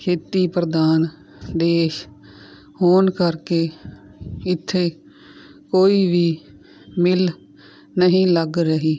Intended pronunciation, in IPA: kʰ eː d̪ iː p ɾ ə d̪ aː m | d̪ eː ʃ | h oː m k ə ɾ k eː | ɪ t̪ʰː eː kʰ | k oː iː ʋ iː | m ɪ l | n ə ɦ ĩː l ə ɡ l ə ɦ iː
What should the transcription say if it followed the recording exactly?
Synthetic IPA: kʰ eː t̪ iː p ɾ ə d̪ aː n | d̪ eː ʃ | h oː n k ə ɾ k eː | ɪ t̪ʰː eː | k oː iː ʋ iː | m ɪ l | n ə ɦ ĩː l ə ɡ ɾ ə ɦ iː